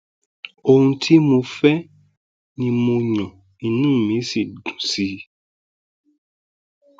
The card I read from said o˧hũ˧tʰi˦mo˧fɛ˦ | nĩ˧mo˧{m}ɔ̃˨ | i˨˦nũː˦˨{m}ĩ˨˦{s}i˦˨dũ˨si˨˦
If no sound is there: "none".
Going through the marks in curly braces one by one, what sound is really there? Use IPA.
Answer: ɲ, m, s

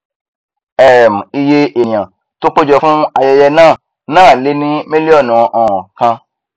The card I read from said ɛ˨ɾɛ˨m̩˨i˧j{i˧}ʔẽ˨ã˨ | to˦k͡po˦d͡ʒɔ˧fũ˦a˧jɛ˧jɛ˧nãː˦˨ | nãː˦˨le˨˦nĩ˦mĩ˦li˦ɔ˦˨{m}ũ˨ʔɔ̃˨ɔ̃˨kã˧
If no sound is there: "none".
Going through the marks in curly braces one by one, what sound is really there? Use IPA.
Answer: e˧, n

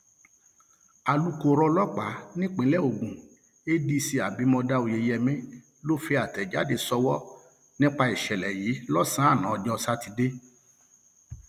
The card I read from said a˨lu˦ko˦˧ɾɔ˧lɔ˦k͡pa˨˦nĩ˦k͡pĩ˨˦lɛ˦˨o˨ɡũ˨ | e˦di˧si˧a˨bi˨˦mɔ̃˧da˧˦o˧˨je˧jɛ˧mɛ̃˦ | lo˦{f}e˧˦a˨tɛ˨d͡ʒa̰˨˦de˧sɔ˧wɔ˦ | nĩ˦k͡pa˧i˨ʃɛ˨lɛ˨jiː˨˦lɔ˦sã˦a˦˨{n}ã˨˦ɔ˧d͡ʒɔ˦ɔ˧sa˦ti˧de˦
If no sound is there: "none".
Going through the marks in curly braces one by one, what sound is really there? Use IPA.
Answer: f, n

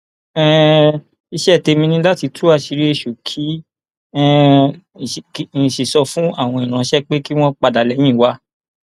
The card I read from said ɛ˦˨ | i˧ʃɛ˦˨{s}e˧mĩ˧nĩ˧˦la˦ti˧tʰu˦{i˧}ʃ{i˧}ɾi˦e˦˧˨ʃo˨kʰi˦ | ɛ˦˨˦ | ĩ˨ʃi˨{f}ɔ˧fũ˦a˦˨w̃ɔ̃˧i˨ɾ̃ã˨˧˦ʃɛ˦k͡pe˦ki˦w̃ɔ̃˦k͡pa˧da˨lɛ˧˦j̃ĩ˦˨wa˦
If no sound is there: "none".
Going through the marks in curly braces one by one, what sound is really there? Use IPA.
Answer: t, a˧, i˧, s

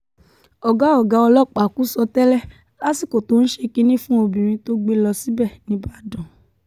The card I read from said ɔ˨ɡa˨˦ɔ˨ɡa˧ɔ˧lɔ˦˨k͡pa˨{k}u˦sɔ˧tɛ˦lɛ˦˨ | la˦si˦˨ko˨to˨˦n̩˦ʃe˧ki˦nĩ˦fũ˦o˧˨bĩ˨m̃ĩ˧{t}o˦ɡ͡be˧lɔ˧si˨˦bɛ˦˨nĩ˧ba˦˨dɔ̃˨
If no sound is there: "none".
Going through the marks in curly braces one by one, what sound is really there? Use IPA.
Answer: k, t

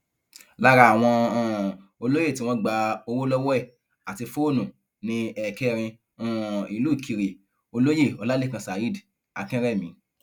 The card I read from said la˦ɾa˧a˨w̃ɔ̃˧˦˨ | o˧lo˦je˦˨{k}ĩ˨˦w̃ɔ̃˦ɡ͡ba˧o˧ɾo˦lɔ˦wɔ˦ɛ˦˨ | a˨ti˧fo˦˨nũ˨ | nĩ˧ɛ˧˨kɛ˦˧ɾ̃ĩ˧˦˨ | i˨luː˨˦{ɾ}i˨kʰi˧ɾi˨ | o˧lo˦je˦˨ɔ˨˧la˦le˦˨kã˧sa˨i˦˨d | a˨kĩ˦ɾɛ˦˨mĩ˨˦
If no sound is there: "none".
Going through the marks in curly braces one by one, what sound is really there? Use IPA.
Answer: t, none

